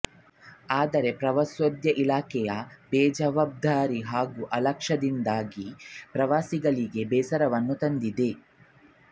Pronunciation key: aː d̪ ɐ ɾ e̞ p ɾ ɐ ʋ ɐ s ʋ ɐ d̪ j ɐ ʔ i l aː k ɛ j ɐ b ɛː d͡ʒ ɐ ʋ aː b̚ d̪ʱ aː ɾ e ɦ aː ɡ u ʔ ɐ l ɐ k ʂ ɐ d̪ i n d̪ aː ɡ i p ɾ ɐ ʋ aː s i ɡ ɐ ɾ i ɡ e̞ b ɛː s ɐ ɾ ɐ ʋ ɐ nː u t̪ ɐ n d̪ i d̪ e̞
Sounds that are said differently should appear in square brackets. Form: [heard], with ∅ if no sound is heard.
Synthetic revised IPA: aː d̪ ɐ ɾ e̞ p ɾ ɐ ʋ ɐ s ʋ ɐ d̪ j ɐ ʔ i l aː k ɛ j ɐ b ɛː d͡ʒ ɐ ʋ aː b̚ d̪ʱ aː ɾ [i] ɦ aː ɡ u ʔ ɐ l ɐ k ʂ ɐ d̪ i n d̪ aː ɡ i p ɾ ɐ ʋ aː s i ɡ ɐ [ɭ] i ɡ e̞ b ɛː s ɐ ɾ ɐ ʋ ɐ nː u t̪ ɐ n d̪ i d̪ e̞